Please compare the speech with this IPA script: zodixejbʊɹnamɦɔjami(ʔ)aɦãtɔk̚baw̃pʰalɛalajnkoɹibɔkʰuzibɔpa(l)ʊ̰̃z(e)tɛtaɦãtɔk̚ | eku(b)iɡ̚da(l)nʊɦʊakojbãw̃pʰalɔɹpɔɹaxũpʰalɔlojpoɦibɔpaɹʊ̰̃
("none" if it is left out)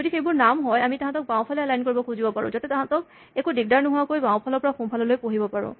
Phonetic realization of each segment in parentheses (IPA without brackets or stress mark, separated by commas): t, ɹ, a, d, ɹ